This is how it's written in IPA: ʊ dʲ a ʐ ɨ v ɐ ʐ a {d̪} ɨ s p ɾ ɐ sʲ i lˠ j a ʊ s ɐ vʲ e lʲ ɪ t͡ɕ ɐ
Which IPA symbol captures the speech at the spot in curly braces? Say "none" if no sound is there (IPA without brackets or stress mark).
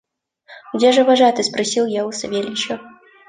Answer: t̪